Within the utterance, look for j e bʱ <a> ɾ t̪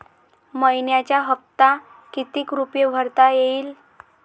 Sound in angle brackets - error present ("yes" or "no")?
yes